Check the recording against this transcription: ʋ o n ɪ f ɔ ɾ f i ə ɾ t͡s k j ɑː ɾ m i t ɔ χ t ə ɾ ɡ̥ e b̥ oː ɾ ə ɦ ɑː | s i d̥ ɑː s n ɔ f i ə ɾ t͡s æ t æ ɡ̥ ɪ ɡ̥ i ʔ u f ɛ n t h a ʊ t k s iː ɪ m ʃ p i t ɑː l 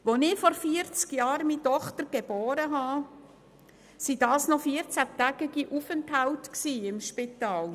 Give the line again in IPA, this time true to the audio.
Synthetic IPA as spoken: ʋ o n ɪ f ɔ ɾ f i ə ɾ t͡s k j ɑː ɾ m i t ɔ χ t ə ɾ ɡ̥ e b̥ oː ɾ ə ɦ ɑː | s i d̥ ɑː s n ɔ f i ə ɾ t͡s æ t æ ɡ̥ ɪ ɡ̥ i ʔ u f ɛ n t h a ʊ t k s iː ɪ m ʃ p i t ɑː l